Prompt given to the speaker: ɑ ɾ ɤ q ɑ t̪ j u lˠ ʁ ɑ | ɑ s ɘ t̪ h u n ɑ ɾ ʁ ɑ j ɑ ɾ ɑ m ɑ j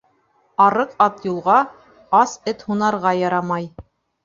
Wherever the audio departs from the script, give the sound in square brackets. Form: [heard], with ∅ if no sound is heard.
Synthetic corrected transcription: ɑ ɾ ɤ q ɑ t̪ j u lˠ ʁ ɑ | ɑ s ɘ t̪ h u n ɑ ɾ ʁ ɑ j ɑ ɾ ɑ m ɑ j